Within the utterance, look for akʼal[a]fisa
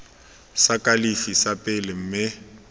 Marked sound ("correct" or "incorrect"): incorrect